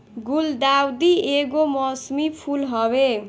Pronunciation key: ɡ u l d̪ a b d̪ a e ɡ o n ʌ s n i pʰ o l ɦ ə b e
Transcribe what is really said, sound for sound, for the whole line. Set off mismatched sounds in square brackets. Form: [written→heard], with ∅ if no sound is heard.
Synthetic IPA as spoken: ɡ u l d̪ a [b→w] d̪ [a→i] e ɡ o [n→m] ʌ s [n→m] i pʰ [o→u] l ɦ [ə→ʌ] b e